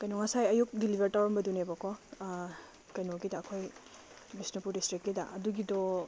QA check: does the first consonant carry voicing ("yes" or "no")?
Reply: no